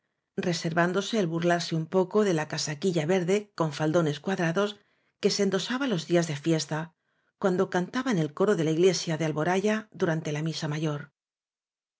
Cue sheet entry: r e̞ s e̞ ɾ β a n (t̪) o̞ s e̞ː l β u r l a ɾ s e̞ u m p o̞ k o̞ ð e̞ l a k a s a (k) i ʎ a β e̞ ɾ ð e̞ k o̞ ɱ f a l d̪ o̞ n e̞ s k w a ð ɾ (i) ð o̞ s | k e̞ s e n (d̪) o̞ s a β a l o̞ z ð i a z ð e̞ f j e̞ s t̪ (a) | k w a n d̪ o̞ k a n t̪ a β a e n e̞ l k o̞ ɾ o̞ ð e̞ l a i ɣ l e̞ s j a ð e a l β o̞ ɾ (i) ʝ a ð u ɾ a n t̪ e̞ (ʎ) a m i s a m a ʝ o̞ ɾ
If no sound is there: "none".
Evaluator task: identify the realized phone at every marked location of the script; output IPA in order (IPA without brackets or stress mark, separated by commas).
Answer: d̪, k, a, d̪, a, a, l